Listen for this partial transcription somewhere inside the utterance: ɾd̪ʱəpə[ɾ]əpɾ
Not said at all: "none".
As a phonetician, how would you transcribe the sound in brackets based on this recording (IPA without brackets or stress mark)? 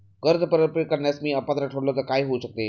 ɾ